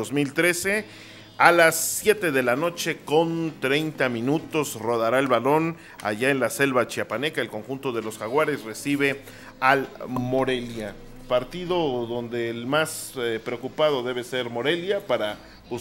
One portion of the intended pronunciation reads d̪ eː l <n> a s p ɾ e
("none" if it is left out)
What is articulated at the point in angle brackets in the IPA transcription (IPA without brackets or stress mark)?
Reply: m